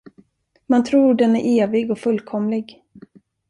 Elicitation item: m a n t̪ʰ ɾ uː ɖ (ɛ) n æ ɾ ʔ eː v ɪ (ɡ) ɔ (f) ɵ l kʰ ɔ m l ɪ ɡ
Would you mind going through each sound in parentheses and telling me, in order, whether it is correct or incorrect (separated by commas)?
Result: correct, correct, correct